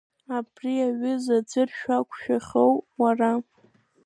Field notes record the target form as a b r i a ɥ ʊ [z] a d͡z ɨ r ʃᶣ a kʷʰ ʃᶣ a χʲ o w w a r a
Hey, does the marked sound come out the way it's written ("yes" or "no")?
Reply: yes